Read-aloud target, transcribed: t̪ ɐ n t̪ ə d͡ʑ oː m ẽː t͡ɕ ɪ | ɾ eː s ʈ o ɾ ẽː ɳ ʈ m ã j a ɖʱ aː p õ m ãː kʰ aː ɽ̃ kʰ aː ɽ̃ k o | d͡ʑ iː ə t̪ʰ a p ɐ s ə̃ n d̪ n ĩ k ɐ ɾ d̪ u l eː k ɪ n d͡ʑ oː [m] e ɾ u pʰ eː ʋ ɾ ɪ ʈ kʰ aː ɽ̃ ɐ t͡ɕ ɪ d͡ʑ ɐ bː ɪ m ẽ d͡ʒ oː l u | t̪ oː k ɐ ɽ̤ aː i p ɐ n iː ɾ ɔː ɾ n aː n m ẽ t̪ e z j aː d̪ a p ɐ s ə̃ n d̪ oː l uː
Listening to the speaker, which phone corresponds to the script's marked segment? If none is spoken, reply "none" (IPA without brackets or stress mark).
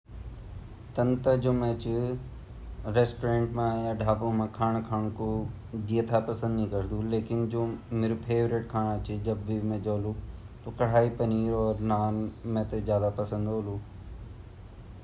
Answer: m